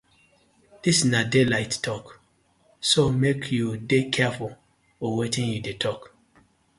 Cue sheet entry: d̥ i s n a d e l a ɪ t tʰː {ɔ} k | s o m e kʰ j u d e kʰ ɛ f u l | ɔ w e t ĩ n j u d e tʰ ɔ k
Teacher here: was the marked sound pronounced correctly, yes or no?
yes